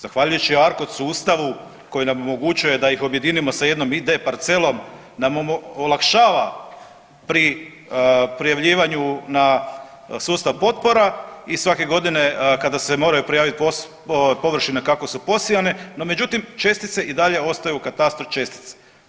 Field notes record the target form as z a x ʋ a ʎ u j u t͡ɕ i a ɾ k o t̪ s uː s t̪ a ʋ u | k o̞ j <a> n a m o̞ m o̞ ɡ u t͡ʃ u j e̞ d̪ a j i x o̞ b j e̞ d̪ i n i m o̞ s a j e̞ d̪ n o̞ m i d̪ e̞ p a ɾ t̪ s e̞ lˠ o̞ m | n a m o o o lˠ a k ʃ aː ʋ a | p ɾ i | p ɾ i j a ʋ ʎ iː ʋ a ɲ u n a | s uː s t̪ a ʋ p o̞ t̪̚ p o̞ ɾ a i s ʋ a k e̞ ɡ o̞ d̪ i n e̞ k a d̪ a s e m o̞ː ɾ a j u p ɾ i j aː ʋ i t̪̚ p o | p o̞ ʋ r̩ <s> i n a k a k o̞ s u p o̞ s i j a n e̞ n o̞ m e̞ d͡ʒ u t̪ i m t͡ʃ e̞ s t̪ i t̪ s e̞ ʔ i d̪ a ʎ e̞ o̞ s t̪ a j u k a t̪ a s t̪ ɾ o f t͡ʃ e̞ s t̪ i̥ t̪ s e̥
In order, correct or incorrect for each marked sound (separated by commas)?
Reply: incorrect, incorrect